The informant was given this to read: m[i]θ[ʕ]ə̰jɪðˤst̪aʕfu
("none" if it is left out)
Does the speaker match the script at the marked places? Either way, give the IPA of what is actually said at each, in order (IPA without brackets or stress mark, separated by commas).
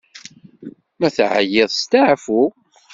æ, ʕ